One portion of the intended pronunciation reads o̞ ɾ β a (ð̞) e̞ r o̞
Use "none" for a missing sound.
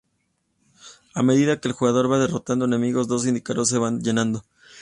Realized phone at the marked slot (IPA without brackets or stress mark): ð̞